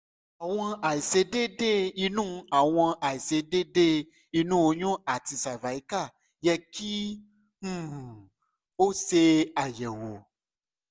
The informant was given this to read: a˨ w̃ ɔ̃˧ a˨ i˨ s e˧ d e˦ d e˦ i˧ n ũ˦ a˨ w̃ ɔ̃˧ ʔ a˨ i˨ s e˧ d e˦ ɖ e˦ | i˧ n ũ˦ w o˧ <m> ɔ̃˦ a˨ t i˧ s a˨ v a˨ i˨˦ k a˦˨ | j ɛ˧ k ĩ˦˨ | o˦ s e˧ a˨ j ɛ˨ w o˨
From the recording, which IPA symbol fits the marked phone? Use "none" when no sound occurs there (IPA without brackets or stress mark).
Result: ɲ